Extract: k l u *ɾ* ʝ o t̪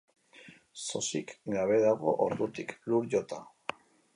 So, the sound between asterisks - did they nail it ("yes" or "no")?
yes